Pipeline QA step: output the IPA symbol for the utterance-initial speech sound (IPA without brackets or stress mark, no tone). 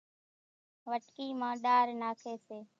ʋ